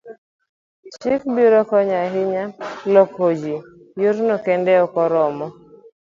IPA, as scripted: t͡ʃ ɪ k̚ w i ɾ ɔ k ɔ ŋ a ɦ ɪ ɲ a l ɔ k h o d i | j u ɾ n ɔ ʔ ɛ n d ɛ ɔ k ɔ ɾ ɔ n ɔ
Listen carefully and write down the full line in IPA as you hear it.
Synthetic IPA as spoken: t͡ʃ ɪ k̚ b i ɾ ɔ k ɔ ɲ a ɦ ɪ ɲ a l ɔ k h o d͡ʒ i | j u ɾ n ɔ k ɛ n d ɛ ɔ k ɔ ɾ ɔ m ɔ

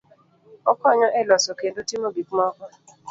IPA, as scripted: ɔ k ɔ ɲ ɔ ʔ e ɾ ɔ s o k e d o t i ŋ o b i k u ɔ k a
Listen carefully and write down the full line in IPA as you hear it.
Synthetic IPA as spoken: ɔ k ɔ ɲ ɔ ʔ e l ɔ s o k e d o t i m o b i k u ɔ k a

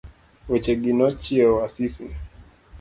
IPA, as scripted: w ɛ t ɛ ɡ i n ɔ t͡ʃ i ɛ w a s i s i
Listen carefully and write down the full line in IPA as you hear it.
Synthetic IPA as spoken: w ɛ t͡ʃ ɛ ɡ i n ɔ t͡ʃ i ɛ w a s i s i

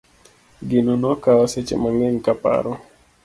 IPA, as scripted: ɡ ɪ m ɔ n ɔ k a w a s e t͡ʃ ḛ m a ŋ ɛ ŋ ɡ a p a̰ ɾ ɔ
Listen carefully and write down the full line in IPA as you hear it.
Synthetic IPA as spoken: ɡ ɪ n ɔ n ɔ k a w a s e t͡ʃ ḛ m a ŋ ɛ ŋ k a p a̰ ɾ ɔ

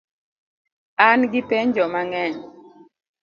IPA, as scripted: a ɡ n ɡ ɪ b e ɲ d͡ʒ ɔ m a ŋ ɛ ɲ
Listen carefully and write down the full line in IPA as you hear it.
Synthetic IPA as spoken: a n ɡ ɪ p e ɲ d͡ʒ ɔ m a ŋ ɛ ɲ

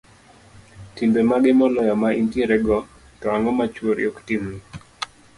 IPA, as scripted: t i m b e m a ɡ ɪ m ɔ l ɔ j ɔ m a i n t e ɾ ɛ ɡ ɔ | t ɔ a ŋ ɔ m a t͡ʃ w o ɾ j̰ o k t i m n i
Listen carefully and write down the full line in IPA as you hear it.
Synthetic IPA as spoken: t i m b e m a ɡ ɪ m ɔ l ɔ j ɔ m a i n t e ɾ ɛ ɡ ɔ | t ɔ a ŋ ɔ m a t͡ʃ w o ɾ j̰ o k t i m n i

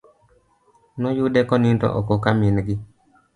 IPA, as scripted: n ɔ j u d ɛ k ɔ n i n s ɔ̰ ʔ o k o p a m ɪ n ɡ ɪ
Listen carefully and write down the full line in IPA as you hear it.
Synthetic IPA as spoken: n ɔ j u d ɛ k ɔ n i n t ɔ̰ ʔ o k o k a m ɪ n ɡ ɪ

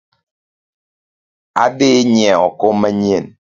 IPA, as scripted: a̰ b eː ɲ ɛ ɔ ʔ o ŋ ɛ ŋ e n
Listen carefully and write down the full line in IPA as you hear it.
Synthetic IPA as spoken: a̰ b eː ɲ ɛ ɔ k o m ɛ ɲ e n

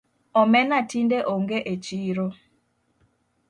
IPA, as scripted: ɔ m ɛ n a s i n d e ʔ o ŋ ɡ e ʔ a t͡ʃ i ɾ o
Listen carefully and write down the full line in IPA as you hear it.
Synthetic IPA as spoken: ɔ m ɛ n a t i n d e ʔ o ŋ ɡ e ʔ e t͡ʃ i ɾ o

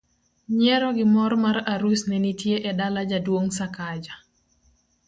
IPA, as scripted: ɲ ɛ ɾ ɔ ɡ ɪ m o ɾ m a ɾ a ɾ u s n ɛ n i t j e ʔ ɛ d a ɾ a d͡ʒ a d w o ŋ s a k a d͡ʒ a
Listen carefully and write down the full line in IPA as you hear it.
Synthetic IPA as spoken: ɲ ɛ ɾ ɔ ɡ ɪ m ɔ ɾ m a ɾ a ɾ u s n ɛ n i t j e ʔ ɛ d a l a d͡ʒ a d w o ŋ s a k a d͡ʒ a

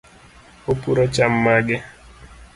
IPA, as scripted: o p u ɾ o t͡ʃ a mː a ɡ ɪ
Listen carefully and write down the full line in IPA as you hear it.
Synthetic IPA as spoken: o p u ɾ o t͡ʃ a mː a ɡ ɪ

